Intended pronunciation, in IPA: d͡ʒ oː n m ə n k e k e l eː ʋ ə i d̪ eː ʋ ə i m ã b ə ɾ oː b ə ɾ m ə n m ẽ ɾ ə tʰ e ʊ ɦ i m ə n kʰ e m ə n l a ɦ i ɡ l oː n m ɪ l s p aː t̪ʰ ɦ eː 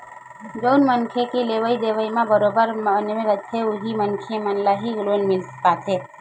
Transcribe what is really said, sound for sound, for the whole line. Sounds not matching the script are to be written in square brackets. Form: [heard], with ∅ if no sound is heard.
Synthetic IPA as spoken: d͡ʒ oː n m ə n [kʰ] e k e l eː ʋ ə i d̪ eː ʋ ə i m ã b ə ɾ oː b ə ɾ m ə n m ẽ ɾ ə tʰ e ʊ ɦ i m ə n kʰ e m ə n l a ɦ i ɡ l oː n m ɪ l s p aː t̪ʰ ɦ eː